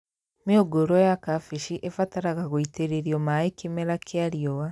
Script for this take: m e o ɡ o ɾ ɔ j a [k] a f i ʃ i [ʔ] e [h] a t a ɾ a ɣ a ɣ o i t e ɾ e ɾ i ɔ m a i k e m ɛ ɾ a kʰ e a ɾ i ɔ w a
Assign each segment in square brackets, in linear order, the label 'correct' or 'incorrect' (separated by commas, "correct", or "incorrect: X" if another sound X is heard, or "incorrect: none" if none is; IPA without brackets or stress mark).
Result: correct, correct, incorrect: f